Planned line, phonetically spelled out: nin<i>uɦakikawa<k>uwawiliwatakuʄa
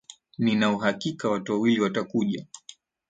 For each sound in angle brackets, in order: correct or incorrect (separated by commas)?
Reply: incorrect, incorrect